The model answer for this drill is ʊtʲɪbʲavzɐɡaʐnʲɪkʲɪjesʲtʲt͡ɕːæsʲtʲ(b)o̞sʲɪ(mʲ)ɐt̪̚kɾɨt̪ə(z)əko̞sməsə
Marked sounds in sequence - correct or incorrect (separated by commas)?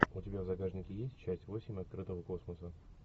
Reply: incorrect, correct, incorrect